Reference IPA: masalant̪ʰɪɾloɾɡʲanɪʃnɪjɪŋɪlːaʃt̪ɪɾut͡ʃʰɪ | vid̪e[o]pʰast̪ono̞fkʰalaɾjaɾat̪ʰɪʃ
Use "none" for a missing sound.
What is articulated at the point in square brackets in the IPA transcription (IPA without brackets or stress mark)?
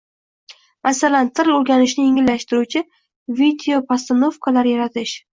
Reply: o